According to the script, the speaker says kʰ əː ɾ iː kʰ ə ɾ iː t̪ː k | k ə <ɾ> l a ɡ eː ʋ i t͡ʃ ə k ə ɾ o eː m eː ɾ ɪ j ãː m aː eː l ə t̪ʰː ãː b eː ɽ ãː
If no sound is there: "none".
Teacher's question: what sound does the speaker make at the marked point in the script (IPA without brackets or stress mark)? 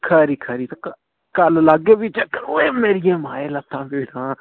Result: l